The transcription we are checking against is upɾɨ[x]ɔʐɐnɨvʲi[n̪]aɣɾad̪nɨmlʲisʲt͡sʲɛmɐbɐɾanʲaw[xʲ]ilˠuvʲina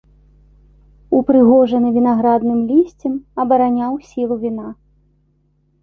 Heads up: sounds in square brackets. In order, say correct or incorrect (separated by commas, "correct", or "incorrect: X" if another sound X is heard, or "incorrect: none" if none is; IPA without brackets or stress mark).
incorrect: ɣ, correct, incorrect: sʲ